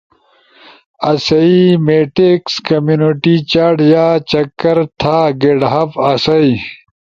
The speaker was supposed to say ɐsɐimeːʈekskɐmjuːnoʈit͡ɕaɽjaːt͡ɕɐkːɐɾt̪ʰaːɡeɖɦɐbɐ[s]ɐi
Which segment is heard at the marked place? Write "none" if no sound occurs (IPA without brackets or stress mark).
s